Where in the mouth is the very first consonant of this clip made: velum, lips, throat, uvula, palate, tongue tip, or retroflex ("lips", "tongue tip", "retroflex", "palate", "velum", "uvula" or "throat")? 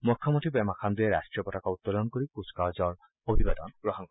lips